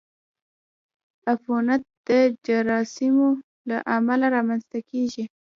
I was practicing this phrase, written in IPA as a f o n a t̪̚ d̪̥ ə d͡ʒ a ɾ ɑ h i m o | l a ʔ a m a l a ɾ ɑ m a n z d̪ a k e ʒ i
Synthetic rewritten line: a f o n a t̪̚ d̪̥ ə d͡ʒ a ɾ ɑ s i m o | l a ʔ a m a l a ɾ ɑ m a n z t̪ a k e ʒ i